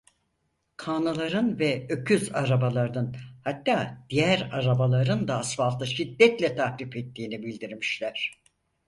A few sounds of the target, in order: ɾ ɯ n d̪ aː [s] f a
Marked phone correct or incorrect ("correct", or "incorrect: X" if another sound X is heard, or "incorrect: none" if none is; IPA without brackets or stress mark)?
correct